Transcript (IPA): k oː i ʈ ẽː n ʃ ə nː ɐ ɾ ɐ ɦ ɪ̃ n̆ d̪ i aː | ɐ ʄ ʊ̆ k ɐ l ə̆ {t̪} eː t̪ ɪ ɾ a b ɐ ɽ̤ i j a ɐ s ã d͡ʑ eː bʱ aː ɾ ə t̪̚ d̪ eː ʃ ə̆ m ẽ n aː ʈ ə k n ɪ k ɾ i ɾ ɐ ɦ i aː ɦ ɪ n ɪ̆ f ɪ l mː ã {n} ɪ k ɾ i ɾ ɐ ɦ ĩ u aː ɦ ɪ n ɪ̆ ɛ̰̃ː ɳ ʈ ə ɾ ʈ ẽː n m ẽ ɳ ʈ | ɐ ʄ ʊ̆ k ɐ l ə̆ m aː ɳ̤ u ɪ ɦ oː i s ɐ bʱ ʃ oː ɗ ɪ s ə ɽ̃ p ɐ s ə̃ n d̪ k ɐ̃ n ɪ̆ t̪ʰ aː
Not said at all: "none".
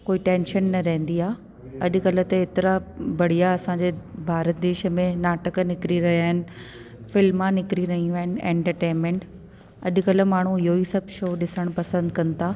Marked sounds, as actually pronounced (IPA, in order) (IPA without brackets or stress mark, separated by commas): t̪, n